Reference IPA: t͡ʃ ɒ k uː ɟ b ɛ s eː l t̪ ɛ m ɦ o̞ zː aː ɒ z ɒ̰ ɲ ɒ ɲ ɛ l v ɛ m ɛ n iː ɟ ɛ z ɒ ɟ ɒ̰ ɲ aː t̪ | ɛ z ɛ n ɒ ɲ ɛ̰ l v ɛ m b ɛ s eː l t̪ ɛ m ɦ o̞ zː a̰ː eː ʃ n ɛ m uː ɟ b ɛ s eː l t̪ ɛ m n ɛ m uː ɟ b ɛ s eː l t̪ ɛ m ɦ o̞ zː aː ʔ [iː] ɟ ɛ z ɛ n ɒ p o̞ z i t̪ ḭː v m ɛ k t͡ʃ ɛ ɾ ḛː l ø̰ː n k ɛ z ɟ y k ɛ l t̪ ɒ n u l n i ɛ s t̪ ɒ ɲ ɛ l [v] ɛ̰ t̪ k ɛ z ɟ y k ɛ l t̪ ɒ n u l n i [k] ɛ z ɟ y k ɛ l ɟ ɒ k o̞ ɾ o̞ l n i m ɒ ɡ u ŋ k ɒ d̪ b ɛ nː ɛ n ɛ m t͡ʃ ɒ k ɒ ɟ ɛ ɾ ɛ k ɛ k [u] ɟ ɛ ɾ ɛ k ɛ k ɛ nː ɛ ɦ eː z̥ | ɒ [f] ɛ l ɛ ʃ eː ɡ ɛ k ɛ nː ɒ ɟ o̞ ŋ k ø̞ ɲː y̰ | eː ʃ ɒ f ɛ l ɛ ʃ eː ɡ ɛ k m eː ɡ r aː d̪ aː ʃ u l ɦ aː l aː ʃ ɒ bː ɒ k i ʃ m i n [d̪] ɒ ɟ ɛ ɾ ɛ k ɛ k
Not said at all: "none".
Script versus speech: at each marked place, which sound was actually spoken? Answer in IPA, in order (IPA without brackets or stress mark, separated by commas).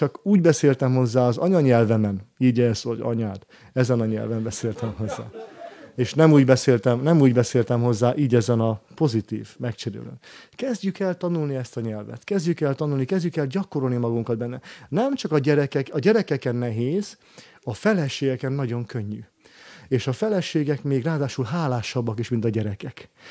iː, v, k, ɒ, f, t̪